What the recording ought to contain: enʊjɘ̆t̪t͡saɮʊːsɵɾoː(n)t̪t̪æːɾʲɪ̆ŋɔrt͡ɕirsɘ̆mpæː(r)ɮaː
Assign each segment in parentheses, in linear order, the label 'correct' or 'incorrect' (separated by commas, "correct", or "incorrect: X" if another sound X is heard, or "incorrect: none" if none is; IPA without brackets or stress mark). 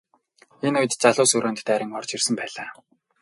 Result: correct, incorrect: none